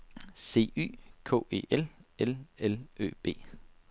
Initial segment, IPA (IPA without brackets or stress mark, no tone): s